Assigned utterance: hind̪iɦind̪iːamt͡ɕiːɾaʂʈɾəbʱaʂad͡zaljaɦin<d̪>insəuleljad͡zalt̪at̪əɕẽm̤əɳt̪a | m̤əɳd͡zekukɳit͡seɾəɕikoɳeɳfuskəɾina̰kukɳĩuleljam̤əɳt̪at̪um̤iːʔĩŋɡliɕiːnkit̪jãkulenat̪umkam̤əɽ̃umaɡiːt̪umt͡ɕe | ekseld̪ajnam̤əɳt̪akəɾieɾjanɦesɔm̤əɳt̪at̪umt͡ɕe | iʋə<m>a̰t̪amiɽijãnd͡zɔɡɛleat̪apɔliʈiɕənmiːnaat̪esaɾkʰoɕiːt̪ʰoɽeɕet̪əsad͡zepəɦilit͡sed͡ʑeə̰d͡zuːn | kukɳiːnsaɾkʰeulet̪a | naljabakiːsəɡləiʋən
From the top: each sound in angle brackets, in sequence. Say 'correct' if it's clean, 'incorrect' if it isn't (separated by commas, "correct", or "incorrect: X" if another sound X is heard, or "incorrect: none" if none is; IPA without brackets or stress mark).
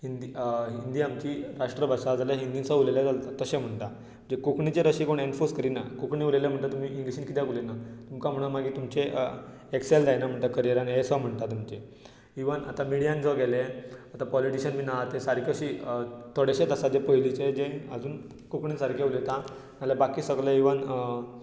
correct, incorrect: n